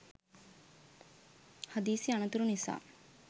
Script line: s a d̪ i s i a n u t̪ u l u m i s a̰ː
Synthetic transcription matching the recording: h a d̪ iː s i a n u t̪ u ɾ u n i s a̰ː